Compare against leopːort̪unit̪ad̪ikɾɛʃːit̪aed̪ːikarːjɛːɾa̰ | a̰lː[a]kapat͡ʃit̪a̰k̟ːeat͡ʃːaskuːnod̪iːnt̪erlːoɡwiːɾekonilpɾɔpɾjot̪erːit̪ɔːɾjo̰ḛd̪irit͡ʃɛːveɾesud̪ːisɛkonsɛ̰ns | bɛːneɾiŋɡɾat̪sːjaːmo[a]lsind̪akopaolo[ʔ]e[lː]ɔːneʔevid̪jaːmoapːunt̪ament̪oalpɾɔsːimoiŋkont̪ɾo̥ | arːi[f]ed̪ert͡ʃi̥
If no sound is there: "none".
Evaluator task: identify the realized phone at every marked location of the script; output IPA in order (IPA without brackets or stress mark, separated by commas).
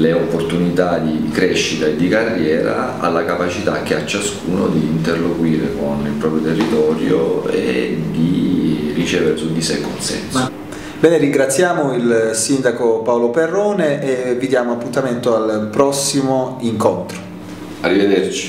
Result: a, i, p, rː, v